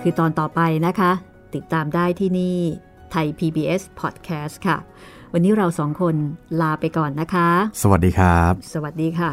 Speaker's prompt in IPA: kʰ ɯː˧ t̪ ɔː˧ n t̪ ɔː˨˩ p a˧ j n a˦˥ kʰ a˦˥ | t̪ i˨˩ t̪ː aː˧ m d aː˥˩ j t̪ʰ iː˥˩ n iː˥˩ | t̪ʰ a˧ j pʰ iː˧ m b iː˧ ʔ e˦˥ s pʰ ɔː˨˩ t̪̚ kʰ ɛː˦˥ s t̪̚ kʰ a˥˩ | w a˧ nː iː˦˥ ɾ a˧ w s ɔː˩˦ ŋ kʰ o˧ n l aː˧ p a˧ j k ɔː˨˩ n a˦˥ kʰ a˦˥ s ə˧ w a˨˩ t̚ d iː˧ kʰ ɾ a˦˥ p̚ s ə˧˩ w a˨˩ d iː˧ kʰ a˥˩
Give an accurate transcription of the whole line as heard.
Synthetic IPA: kʰ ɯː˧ t̪ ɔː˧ n t̪ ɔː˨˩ p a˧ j n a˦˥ kʰ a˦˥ | t̪ i˨˩ t̪ː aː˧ m d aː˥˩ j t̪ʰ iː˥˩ n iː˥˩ | t̪ʰ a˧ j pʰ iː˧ b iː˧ ʔ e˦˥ s pʰ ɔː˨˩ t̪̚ kʰ ɛː˦˥ s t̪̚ kʰ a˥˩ | w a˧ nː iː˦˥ ɾ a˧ w s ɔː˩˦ ŋ kʰ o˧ n l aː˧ p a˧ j k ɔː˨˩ nː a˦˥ kʰ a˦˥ s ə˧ w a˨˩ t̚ d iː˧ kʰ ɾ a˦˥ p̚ s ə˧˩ w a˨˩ d iː˧ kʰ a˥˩